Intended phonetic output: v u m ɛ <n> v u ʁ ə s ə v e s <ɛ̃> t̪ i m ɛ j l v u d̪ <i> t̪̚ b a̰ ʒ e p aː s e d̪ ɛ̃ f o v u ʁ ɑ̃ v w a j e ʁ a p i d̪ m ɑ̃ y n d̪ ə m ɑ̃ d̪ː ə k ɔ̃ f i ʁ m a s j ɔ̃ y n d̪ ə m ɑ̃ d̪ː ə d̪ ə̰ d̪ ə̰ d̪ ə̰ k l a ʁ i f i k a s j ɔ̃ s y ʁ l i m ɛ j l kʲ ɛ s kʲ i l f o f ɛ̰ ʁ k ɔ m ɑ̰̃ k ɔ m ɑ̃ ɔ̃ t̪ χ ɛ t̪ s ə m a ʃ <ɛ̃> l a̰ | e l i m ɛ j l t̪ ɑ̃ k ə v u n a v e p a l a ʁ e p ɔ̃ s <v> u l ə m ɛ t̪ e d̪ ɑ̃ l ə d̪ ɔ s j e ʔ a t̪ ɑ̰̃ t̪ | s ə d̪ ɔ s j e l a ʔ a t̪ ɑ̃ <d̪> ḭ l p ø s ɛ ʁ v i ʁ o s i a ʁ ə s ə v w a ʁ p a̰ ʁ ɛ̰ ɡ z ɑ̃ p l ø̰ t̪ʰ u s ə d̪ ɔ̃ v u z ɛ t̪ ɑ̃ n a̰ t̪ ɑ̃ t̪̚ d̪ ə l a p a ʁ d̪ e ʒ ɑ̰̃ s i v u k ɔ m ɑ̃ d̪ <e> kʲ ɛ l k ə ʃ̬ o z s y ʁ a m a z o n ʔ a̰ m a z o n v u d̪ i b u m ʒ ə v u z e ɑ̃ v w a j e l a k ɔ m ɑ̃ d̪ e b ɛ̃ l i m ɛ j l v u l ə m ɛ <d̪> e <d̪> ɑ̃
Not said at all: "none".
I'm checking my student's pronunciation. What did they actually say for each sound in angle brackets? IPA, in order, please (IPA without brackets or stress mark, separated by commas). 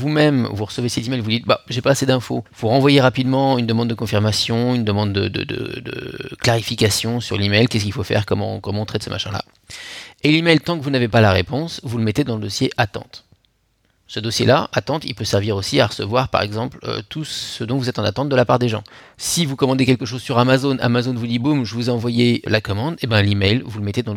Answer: m, ɛ, i, ɛ̃, v, t̪, e, t̪, d̪